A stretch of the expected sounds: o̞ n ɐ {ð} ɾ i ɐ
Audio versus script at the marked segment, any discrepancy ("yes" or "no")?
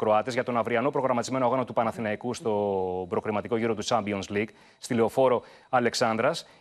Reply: yes